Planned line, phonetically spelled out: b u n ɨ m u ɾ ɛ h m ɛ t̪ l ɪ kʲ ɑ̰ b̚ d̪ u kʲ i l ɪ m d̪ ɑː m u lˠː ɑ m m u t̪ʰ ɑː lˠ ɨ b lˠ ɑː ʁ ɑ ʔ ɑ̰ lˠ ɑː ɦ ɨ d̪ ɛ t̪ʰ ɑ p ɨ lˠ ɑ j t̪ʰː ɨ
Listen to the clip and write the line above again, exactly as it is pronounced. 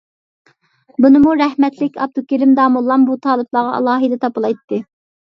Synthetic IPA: b u n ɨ m u ɾ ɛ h m ɛ t̪ l ɪ kʲ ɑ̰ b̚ d̪ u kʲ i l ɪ m d̪ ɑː m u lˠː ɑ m b u t̪ʰ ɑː lˠ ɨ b lˠ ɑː ʁ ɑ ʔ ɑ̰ lˠ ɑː ɦ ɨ d̪ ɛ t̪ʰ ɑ p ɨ lˠ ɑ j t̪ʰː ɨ